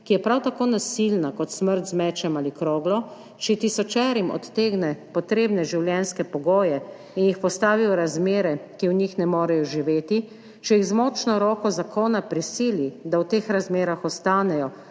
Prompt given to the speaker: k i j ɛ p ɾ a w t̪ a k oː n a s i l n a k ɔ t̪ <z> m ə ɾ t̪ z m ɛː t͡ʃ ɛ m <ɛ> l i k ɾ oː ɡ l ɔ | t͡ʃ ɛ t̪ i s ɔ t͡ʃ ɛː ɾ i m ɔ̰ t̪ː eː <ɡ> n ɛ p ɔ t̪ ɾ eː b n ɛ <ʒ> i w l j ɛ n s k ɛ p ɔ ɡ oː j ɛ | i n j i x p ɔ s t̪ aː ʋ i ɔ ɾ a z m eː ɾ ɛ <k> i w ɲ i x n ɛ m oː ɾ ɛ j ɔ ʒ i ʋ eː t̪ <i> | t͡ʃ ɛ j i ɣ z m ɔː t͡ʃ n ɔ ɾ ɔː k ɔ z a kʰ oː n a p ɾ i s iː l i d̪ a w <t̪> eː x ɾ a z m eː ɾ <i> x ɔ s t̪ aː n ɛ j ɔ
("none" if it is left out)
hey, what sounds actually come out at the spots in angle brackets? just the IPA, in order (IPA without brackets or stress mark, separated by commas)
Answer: s, a, ɡ, ʒ, k, i, t̪, a